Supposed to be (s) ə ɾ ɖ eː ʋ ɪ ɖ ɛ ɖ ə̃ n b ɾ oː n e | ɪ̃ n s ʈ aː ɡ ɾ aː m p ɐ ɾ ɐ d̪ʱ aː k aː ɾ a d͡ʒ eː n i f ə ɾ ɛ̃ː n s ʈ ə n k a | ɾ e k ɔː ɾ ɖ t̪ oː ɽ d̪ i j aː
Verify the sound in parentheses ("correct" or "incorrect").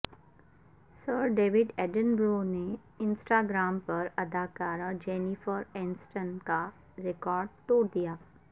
correct